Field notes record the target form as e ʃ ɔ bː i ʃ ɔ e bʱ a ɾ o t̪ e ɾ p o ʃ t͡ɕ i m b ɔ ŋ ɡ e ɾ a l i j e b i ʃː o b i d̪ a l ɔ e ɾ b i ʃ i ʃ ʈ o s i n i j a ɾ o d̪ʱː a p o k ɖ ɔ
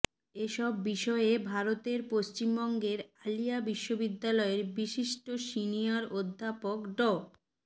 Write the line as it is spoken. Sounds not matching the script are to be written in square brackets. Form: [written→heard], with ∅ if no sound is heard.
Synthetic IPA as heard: e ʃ ɔ bː i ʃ ɔ e bʱ a ɾ o t̪ e ɾ p o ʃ t͡ɕ i m b ɔ ŋ ɡ e ɾ a l i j [e→a] b i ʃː o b i [d̪→d̪ː] a l ɔ e ɾ b i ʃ i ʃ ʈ o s i n i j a ɾ o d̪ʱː a p o k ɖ ɔ